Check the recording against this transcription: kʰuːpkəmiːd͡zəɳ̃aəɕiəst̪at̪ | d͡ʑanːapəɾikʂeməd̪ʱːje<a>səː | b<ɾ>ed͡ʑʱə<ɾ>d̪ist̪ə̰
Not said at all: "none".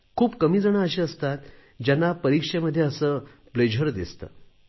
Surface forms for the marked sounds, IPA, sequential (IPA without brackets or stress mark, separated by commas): ə, l, ɾ